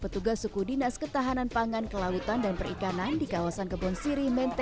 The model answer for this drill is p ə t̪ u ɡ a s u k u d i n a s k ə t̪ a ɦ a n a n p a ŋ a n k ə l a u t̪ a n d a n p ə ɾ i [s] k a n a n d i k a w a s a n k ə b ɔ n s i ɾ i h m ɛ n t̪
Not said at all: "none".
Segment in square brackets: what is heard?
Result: none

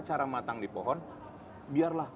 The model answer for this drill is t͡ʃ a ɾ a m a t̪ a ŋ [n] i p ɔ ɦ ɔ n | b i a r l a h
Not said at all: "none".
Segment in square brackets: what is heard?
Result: d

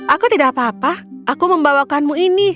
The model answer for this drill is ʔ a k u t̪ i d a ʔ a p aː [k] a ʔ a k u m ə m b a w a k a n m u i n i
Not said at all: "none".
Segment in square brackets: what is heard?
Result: p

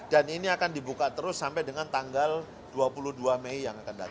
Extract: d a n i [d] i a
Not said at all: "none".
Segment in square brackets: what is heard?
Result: n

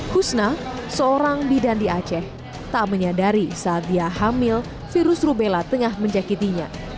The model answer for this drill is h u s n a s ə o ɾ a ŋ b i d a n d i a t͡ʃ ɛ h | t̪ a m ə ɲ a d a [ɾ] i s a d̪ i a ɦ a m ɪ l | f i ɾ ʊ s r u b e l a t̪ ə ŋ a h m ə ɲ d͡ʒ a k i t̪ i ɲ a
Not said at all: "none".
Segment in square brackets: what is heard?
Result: ɾ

